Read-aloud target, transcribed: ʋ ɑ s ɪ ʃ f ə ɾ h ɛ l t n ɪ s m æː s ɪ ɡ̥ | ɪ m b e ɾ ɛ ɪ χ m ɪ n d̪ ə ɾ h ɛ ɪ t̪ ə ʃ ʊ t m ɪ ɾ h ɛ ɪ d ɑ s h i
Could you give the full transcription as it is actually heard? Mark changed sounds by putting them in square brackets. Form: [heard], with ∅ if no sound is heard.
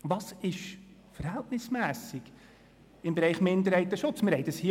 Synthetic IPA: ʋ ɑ s ɪ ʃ f ə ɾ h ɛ l t n ɪ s m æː s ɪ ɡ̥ | ɪ m b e ɾ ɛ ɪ χ m ɪ n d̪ ə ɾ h ɛ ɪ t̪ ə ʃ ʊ [t͡s] m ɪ ɾ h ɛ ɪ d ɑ s h i